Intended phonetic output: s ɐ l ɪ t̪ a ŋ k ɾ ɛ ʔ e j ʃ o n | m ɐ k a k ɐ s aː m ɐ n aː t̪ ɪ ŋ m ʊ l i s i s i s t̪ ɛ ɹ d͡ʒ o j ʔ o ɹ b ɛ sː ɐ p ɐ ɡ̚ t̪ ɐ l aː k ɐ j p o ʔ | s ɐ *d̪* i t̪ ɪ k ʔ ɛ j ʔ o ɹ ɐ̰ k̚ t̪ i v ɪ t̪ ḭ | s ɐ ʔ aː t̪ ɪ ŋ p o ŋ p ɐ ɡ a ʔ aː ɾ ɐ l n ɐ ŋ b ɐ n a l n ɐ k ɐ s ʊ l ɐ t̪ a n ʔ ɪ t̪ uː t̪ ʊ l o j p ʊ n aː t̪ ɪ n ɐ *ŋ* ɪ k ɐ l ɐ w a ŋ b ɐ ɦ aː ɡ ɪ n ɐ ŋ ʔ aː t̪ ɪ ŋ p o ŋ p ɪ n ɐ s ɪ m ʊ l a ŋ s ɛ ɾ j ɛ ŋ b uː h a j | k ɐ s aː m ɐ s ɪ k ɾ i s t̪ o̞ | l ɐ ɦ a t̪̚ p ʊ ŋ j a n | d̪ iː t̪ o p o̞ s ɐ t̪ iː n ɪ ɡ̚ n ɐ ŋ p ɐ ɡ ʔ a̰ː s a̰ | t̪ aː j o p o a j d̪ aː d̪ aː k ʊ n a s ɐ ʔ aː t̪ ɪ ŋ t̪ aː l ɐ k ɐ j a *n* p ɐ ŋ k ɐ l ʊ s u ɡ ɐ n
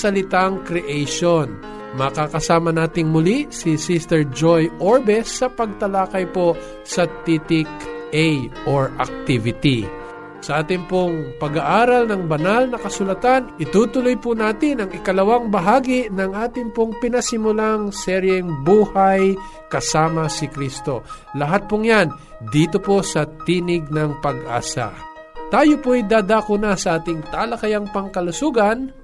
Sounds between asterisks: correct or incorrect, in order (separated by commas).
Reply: incorrect, correct, incorrect